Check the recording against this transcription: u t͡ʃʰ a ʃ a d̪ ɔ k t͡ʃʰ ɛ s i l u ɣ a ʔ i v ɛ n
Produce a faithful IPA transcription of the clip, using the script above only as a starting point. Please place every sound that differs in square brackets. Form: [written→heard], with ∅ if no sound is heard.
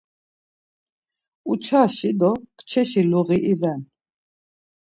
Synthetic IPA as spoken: u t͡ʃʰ a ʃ [a→i] d̪ ɔ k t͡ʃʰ ɛ [s→ʃ] i l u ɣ [a→i] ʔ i v ɛ n